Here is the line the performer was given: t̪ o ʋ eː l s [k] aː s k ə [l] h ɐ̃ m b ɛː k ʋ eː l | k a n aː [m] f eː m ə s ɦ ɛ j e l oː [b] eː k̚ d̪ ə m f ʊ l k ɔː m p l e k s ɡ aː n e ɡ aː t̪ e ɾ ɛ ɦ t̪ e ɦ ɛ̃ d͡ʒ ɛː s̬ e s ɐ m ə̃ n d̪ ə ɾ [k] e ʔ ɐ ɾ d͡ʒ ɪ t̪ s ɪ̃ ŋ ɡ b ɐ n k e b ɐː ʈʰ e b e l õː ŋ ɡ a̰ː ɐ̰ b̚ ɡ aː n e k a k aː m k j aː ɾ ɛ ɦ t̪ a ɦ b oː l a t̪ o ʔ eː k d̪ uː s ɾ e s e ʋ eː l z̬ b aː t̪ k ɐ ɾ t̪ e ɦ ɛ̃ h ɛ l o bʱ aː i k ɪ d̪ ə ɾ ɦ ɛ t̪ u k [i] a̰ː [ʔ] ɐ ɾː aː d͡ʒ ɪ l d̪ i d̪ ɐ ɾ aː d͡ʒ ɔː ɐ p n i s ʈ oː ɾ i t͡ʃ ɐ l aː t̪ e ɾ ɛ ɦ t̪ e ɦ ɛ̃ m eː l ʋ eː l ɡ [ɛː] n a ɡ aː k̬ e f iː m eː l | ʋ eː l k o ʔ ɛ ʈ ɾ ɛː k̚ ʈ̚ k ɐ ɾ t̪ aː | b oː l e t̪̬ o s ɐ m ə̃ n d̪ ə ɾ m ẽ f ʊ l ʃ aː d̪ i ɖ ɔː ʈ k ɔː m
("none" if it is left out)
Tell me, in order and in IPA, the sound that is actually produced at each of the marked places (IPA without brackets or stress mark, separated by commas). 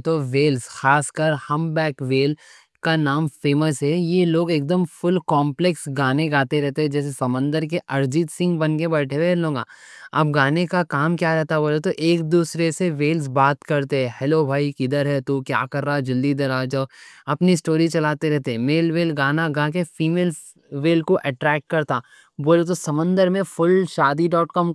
x, ɾ, m, ɡ, k, j, k, aː